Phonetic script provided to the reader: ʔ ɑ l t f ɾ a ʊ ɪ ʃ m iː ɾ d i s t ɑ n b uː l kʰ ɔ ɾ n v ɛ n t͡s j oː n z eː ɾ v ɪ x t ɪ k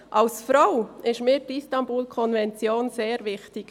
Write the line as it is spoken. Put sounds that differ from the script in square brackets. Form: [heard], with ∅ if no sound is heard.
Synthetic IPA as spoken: ʔ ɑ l [s] f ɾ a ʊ ɪ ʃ m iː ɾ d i s t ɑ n b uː l kʰ ɔ [∅] n v ɛ n t͡s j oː n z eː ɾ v ɪ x t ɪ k